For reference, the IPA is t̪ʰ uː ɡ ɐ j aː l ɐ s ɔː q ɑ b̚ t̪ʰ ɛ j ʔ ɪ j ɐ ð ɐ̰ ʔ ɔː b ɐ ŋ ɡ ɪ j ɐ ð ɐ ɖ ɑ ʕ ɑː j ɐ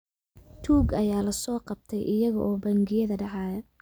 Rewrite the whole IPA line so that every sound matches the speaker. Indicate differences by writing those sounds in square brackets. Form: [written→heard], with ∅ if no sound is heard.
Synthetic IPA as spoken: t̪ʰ uː ɡ ɐ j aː l ɐ s ɔː q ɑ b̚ t̪ʰ ɛ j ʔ ɪ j ɐ [ð→ɣ] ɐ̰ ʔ ɔː b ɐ ŋ ɡ ɪ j ɐ ð ɐ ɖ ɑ ʕ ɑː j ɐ